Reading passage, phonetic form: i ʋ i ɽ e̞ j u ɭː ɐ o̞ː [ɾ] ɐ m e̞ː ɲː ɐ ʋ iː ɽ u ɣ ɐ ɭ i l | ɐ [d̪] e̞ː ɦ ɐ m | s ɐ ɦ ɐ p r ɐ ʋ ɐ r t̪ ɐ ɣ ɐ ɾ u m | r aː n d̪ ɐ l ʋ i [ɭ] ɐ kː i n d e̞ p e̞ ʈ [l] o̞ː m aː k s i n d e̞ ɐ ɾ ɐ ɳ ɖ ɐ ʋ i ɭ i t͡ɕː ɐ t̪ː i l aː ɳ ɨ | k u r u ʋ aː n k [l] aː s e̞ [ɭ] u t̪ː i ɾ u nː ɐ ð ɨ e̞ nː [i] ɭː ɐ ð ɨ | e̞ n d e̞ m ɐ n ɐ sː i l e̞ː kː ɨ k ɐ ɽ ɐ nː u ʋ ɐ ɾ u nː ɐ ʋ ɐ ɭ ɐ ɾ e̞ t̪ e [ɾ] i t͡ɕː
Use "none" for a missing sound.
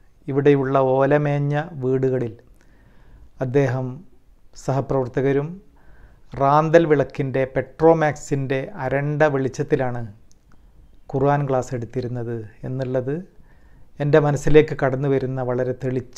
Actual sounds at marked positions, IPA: l, d̪ː, ɭ, r, ɭ, ɽ, i, ɭ

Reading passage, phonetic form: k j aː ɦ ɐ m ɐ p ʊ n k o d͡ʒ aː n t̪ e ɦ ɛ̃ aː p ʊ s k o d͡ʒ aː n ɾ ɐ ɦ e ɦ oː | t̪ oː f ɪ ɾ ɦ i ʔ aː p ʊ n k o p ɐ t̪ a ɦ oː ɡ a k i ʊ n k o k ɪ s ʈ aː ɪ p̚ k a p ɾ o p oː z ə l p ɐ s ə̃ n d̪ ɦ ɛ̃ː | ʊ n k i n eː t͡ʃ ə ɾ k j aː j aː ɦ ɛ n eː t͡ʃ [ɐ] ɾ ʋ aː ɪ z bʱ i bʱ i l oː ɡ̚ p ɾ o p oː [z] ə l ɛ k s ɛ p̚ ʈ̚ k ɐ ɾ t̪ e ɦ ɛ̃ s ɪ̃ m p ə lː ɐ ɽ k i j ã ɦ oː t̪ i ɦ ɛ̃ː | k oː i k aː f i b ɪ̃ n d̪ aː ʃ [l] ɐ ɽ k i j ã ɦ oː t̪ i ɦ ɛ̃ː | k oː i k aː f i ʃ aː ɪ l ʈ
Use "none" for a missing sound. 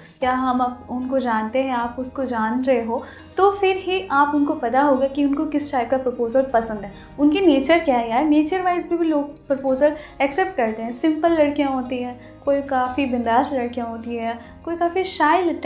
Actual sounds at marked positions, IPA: ə, z, l

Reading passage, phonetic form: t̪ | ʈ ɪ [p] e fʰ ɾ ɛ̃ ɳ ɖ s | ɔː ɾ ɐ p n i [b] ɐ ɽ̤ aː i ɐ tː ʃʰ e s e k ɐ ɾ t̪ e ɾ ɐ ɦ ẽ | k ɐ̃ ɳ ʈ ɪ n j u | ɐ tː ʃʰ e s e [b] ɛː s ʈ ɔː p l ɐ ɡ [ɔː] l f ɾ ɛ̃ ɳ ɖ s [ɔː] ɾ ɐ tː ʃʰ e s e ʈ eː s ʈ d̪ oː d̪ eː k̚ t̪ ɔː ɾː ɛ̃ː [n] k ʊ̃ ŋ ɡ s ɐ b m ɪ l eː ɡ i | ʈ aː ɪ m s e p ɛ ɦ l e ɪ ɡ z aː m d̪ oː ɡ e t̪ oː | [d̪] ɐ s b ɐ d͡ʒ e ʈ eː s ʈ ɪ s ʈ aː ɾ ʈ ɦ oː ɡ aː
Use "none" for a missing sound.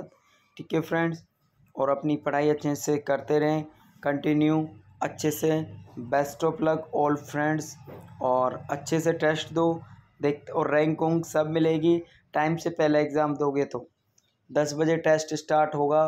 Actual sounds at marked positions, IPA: k, p, b, ɔː, ɔː, ŋ, d̪

